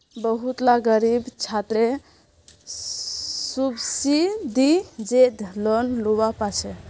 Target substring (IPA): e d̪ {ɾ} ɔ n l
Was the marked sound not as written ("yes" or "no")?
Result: yes